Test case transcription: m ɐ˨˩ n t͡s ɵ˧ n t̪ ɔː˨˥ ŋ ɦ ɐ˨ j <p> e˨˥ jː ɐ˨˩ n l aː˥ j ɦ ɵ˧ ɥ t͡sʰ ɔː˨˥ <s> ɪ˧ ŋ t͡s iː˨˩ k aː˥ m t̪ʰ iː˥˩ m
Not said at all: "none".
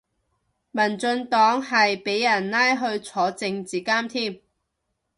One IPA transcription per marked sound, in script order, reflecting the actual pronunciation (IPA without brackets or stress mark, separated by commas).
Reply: p, t͡s